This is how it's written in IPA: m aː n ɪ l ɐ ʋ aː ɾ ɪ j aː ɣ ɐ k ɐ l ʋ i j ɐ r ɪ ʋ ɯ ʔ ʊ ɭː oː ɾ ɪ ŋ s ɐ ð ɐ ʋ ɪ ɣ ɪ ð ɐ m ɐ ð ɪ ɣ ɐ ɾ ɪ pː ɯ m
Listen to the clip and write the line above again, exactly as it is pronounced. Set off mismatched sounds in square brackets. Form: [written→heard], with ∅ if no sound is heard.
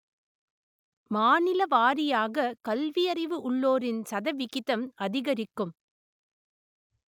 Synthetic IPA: m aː n ɪ l ɐ ʋ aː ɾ ɪ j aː ɣ ɐ k ɐ l ʋ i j ɐ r ɪ ʋ ɯ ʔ ʊ ɭː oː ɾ ɪ [ŋ→n] s ɐ ð ɐ ʋ ɪ ɣ ɪ ð ɐ m ɐ ð ɪ ɣ ɐ ɾ ɪ [pː→kː] ɯ m